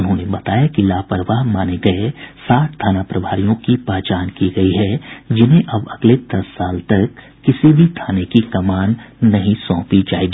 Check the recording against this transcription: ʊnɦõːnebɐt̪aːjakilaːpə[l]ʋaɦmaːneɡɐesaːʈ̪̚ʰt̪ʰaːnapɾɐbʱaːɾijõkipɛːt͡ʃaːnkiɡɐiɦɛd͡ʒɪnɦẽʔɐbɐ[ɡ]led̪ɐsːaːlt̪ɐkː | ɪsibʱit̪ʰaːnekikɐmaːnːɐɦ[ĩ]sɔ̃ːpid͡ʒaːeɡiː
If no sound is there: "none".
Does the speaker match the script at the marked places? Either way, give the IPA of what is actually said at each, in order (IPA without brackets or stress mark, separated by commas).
ɾ, ɡ, ĩ